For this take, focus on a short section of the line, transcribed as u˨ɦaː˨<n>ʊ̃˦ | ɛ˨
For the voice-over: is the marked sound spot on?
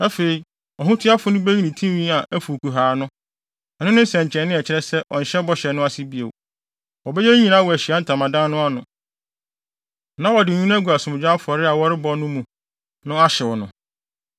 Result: yes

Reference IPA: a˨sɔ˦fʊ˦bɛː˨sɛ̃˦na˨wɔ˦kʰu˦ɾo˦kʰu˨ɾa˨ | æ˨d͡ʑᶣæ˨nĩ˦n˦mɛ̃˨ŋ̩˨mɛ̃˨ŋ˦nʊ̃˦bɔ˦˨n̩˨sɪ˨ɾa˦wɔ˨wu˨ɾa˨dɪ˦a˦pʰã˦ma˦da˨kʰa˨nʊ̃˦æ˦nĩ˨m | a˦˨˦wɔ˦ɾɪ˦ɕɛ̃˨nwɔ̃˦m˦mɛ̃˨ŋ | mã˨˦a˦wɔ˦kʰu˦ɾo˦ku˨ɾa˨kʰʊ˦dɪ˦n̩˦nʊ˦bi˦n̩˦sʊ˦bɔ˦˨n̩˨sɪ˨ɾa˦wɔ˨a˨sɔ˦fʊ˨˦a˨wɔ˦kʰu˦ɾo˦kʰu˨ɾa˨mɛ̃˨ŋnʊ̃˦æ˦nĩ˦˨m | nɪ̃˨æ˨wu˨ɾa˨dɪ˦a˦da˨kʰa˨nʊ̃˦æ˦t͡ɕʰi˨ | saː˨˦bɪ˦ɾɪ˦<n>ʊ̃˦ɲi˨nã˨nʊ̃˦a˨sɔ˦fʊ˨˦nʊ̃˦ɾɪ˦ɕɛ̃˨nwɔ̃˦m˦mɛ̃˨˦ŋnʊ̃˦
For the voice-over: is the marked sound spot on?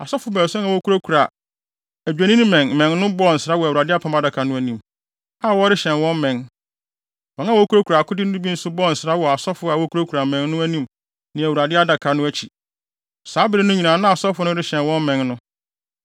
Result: yes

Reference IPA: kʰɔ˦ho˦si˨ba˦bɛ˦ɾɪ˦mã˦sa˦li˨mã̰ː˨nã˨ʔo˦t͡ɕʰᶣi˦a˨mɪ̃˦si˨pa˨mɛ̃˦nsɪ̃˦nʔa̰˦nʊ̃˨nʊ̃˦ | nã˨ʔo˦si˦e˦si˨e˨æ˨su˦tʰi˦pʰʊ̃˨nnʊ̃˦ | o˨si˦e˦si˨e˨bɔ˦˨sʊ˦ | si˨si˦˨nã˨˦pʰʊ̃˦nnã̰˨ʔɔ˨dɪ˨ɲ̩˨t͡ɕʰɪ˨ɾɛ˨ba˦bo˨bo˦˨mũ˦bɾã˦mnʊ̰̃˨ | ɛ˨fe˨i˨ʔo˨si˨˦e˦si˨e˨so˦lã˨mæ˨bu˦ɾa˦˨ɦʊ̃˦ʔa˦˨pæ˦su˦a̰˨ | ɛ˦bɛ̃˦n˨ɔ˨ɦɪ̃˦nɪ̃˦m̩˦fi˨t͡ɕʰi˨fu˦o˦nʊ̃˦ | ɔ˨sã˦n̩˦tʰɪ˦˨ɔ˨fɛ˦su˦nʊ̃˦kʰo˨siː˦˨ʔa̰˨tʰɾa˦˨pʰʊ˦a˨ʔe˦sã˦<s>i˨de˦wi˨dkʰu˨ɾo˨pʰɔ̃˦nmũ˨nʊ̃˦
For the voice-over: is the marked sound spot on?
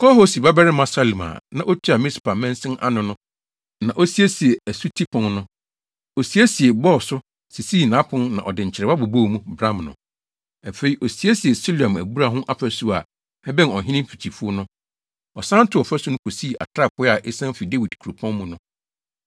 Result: no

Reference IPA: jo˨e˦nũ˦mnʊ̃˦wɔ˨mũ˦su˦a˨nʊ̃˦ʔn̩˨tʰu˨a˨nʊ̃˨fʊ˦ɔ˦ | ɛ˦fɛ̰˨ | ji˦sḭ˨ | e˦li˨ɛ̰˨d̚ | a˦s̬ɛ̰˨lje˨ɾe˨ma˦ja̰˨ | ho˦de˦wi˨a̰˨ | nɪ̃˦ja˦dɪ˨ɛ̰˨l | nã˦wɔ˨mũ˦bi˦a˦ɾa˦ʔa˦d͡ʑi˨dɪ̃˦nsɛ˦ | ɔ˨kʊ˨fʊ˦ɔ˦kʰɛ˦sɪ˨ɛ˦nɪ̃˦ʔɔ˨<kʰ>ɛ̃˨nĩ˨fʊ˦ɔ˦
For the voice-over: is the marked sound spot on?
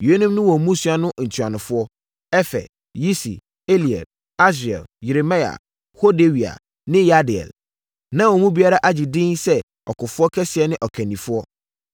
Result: yes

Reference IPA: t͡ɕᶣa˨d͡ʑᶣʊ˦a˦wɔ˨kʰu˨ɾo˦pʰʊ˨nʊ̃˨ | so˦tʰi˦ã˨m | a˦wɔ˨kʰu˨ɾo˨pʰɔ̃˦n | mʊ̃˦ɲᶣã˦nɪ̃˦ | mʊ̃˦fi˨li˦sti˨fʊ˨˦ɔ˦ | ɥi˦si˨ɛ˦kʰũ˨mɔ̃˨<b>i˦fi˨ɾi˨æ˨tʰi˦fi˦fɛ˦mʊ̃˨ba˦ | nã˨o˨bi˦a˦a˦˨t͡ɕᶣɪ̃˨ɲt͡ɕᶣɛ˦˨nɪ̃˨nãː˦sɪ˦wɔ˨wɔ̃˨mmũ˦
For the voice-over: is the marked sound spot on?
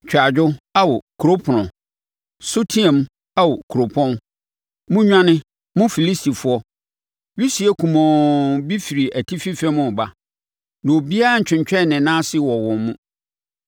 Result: yes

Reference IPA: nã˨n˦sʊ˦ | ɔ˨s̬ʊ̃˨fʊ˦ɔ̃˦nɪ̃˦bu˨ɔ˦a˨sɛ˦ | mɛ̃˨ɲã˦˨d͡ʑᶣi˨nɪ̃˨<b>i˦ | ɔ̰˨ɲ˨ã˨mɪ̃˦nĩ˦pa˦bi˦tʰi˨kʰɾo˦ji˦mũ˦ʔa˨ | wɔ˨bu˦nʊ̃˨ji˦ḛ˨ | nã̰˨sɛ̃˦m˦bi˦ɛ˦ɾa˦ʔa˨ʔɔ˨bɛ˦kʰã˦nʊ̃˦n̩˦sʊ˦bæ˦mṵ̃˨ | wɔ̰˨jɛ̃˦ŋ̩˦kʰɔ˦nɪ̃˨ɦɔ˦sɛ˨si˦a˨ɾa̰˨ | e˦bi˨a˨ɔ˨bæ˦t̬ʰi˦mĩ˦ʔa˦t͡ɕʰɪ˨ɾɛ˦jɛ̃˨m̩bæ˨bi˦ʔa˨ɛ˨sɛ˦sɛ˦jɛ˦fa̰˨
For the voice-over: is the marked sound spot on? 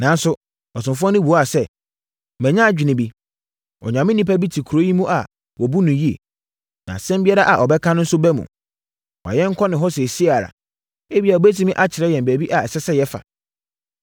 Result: yes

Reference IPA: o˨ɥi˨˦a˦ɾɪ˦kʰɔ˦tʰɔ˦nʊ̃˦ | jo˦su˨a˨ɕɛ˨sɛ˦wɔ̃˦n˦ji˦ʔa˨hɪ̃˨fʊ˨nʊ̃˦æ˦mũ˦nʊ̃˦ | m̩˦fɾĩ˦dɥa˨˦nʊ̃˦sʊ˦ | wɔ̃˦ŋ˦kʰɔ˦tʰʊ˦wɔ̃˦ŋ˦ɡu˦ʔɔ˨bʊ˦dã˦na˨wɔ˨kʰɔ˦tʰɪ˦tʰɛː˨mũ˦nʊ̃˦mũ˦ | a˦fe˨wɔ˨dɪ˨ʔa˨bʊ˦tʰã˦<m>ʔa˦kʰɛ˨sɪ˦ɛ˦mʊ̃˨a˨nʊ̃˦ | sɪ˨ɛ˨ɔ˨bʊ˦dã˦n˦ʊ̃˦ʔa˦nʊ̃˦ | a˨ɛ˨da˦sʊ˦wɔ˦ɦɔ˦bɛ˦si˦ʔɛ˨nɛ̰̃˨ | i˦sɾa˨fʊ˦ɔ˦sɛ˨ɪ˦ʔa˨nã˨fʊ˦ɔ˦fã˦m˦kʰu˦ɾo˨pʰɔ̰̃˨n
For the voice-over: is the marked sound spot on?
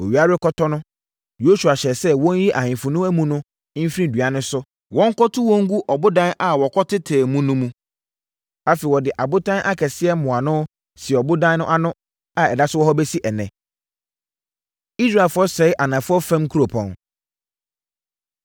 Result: no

